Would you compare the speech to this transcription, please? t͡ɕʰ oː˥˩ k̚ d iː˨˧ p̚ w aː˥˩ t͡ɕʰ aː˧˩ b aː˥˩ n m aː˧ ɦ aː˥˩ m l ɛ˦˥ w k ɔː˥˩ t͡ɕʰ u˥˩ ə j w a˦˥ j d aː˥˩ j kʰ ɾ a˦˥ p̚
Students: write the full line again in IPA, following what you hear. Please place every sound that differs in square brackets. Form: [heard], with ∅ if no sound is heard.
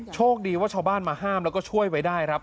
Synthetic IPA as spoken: t͡ɕʰ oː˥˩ k̚ d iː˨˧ [∅] w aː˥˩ t͡ɕʰ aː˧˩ b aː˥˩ n m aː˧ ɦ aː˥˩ m l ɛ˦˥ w k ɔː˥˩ t͡ɕʰ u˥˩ ə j w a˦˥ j d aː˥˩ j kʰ ɾ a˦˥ p̚